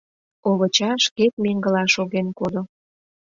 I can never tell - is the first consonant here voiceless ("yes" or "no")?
no